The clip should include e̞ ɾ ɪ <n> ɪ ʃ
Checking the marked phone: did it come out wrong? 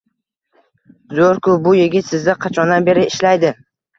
yes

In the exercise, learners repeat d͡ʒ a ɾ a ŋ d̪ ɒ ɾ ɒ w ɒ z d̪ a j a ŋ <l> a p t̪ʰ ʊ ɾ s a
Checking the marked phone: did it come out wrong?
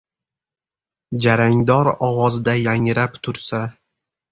yes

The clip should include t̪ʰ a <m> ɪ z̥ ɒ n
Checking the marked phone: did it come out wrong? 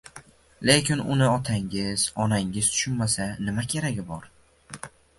yes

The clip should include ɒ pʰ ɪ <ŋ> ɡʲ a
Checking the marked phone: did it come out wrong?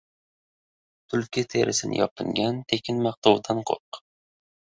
no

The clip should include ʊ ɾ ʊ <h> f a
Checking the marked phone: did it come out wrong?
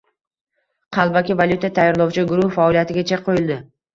no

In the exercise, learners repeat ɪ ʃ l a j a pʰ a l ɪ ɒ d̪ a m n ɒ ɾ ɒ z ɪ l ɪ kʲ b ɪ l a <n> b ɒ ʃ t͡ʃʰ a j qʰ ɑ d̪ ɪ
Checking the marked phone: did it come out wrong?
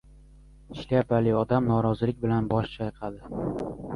no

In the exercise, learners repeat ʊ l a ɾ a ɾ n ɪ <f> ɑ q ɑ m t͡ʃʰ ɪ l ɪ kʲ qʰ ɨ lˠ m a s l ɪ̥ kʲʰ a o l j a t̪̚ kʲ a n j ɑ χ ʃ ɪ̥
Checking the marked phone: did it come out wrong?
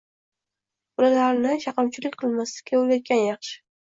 yes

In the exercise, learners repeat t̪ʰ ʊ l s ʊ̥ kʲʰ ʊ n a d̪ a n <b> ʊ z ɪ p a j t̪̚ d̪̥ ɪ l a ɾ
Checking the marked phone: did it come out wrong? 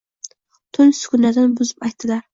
no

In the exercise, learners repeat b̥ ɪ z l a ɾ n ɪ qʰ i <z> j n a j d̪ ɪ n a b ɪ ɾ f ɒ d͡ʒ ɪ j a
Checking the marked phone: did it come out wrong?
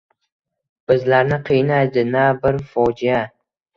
yes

